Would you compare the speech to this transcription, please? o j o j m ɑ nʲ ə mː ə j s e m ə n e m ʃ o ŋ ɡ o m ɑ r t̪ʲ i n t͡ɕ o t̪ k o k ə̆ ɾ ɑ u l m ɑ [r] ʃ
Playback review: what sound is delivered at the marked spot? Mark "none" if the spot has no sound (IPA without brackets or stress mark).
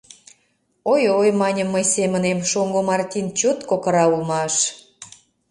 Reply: none